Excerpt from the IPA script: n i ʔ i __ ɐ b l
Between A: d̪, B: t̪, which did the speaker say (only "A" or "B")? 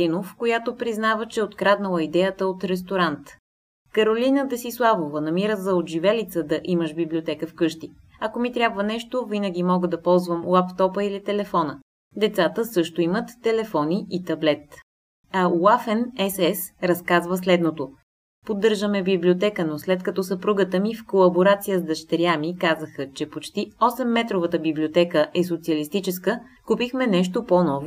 B